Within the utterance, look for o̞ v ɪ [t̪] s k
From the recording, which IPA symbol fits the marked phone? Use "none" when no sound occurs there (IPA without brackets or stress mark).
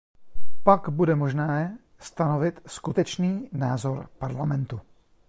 t̪